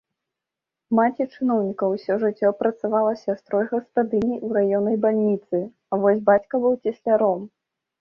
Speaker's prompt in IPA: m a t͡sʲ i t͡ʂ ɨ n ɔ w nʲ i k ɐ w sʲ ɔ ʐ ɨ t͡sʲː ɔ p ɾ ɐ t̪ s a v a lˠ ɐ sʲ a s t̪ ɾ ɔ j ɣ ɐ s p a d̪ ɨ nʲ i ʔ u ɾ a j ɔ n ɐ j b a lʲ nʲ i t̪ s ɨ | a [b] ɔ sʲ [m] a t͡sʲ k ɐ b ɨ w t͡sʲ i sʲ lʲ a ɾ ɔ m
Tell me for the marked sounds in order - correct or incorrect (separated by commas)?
incorrect, incorrect